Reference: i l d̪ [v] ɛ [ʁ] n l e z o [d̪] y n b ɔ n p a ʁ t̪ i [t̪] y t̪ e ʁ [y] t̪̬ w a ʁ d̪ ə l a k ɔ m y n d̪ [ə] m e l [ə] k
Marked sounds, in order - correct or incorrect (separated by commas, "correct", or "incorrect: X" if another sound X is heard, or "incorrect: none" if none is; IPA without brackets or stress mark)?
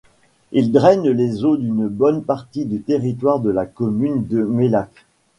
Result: incorrect: ʁ, incorrect: none, correct, incorrect: d̪, incorrect: i, correct, incorrect: a